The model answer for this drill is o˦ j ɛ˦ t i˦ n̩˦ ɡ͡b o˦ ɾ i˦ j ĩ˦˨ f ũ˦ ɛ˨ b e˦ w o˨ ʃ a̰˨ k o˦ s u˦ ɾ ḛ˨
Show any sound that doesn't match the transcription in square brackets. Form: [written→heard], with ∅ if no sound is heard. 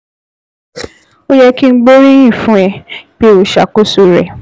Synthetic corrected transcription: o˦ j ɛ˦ [t→k] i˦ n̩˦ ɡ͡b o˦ ɾ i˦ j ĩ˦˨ f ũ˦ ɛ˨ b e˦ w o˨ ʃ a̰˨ k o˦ s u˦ ɾ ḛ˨